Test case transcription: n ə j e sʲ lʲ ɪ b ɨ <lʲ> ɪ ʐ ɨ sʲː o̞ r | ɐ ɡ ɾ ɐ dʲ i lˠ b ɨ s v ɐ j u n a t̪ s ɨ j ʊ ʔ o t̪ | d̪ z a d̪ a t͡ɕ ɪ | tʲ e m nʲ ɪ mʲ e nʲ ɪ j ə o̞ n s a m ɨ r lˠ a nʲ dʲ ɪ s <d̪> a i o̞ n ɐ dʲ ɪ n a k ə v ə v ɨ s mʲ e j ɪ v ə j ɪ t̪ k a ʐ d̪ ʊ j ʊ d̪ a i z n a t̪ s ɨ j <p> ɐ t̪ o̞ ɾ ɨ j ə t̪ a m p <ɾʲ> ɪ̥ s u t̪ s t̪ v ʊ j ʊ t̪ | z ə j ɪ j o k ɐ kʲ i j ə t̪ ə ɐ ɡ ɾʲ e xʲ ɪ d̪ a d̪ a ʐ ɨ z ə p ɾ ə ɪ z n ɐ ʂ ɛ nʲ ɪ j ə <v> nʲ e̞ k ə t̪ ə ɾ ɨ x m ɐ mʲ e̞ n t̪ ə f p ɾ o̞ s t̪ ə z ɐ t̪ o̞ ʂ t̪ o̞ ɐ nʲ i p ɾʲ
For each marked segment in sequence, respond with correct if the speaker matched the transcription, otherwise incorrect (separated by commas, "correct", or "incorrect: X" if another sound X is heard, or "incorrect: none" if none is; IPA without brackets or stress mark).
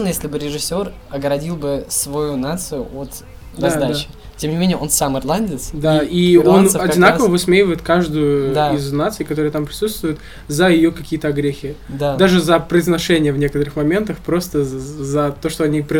incorrect: ɾʲ, correct, incorrect: k, correct, correct